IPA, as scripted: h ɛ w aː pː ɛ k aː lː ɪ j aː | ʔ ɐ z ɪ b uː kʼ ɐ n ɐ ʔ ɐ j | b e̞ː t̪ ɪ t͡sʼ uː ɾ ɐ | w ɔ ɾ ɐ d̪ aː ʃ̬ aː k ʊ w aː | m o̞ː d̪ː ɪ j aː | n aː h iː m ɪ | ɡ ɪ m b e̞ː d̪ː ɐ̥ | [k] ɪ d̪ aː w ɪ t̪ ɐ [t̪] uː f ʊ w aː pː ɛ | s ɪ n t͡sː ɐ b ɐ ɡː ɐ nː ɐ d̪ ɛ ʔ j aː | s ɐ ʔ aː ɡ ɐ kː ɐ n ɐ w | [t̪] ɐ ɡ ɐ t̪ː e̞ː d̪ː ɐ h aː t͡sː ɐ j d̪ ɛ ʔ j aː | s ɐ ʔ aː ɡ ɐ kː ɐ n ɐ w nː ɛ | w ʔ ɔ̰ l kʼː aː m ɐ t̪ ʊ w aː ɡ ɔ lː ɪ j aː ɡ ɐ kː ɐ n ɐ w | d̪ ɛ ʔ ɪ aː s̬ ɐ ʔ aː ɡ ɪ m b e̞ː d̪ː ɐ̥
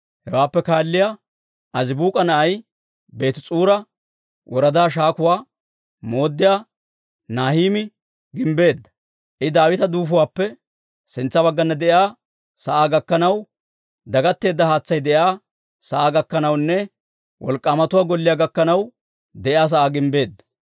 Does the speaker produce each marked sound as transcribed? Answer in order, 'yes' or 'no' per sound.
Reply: no, no, no

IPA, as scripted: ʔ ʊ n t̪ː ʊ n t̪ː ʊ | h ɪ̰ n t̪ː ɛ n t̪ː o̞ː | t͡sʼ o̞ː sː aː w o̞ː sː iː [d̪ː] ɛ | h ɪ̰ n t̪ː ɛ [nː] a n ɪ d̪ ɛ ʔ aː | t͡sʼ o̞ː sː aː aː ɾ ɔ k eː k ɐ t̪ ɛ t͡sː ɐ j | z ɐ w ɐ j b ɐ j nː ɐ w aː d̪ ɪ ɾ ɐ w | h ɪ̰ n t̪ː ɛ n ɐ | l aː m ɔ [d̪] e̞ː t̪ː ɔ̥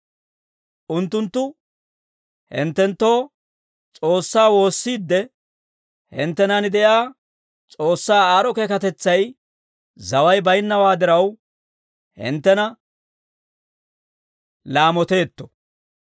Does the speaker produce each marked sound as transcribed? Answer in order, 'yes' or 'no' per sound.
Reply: yes, no, no

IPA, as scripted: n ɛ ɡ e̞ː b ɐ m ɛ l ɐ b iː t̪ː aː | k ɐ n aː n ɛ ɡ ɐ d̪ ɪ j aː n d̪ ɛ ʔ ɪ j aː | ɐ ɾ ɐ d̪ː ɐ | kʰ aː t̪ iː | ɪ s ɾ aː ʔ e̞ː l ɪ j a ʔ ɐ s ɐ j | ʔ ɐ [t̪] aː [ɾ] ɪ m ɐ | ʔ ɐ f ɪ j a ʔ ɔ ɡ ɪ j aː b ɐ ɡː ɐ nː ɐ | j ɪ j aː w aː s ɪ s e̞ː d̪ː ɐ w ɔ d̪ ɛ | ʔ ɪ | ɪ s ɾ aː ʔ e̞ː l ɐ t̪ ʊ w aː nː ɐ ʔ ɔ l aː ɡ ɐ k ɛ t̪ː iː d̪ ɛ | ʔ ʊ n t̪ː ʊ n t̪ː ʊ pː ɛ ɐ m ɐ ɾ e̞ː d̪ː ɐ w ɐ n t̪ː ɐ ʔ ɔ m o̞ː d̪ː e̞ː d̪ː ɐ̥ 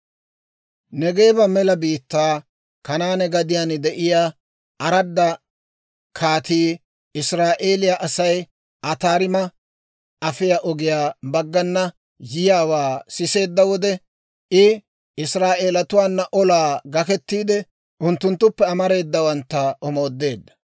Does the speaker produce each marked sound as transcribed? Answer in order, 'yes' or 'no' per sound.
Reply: yes, yes

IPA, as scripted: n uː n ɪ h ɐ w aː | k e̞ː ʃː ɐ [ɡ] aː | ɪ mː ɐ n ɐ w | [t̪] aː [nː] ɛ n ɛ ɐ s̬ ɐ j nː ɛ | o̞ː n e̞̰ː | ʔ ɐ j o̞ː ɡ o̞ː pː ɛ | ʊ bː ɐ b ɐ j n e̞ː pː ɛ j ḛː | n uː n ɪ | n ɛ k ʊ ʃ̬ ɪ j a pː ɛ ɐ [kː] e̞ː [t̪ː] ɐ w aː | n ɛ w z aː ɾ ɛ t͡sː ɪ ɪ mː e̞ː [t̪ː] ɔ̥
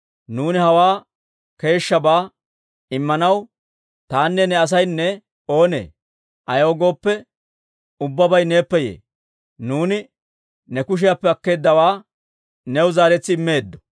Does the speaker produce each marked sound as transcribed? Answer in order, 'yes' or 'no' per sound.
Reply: no, yes, yes, yes, no, no

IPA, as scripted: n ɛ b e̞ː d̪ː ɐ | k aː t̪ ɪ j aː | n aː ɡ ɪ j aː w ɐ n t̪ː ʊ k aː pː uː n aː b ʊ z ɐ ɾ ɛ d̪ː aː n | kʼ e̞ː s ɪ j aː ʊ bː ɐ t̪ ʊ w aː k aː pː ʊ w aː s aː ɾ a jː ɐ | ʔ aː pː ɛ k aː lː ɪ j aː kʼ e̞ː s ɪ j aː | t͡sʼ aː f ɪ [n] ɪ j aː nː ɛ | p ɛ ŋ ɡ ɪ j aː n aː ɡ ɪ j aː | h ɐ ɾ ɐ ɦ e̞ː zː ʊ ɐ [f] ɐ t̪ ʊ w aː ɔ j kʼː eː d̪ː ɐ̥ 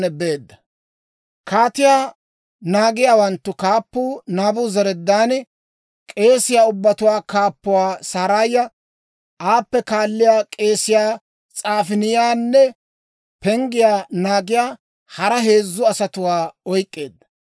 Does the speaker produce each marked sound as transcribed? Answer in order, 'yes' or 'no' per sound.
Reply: yes, no

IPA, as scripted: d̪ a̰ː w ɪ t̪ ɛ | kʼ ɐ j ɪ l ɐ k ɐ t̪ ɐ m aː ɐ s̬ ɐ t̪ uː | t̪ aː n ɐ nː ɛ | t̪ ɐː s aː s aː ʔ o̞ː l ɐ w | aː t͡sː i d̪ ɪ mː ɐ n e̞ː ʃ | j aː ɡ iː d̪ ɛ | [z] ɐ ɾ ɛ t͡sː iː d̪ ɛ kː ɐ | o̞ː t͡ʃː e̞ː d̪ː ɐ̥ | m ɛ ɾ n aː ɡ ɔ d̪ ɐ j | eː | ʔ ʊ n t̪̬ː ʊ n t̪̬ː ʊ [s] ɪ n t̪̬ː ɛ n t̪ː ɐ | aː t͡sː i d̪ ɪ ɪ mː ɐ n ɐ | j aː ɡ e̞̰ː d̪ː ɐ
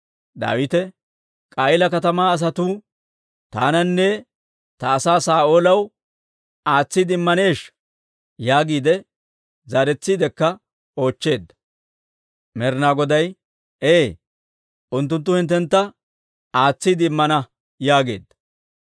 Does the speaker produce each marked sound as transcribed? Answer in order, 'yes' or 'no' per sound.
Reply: yes, no

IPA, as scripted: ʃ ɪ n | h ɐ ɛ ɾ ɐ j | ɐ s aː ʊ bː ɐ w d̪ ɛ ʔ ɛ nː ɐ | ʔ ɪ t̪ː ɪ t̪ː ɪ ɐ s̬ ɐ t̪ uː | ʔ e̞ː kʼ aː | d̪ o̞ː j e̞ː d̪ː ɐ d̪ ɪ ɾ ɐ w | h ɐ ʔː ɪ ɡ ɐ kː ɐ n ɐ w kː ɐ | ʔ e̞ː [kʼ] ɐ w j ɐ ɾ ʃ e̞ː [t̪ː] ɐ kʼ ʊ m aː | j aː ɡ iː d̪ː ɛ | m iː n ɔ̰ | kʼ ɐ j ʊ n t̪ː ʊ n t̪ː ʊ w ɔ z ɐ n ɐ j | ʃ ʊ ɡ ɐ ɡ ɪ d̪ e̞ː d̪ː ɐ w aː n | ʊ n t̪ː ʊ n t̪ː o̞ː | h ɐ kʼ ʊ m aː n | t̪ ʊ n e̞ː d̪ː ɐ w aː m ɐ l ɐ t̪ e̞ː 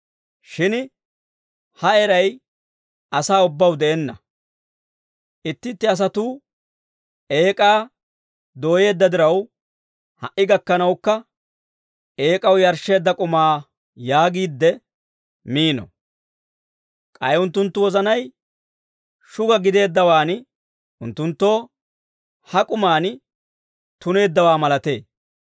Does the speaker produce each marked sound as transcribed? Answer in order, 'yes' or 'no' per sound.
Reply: yes, no

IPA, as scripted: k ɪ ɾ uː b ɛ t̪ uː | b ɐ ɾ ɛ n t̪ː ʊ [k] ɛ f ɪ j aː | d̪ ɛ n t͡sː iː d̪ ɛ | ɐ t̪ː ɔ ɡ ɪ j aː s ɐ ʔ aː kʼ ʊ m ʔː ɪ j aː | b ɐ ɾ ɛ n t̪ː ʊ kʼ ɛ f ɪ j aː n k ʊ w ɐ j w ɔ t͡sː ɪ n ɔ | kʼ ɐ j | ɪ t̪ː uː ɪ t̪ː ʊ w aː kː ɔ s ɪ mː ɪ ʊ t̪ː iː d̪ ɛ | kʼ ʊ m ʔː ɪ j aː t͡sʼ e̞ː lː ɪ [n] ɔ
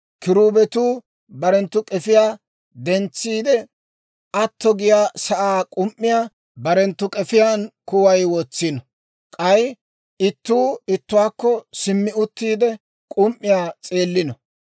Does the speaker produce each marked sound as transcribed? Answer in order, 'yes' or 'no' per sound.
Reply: no, yes

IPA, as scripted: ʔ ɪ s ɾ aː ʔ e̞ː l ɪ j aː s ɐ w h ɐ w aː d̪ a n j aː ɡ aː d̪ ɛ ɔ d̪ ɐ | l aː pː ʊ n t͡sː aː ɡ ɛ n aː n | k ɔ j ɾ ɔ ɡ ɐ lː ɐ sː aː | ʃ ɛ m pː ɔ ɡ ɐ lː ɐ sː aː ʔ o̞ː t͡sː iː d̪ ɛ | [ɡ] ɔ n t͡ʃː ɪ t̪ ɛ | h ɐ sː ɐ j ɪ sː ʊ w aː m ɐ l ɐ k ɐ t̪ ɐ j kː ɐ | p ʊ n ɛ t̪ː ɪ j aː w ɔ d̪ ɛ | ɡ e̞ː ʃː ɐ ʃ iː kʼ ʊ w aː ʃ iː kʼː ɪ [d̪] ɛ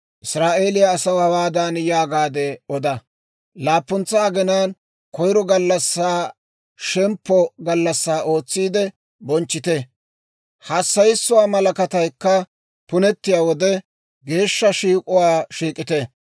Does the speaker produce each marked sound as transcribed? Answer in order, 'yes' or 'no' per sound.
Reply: no, no

